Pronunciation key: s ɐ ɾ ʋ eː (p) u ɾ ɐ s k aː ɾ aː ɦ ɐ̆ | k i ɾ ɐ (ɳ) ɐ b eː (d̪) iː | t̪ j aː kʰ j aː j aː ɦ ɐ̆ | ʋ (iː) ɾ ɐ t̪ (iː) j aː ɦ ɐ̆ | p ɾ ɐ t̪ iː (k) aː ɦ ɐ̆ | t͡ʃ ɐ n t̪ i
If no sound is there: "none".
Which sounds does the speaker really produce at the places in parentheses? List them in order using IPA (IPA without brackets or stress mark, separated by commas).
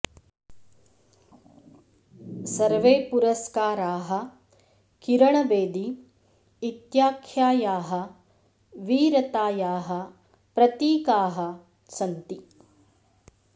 p, ɳ, d̪, iː, aː, k